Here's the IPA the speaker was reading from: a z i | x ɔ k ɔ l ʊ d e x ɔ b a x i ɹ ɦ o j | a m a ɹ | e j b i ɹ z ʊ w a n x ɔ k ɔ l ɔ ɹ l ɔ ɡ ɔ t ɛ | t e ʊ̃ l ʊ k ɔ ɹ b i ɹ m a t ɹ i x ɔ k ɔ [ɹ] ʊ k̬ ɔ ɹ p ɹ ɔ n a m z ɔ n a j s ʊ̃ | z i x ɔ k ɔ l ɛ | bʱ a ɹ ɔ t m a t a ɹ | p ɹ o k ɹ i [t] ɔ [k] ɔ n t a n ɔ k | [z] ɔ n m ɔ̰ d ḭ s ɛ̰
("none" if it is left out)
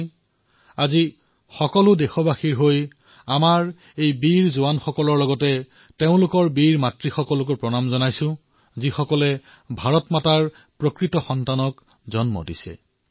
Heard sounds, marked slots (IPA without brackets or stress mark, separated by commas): l, t, x, z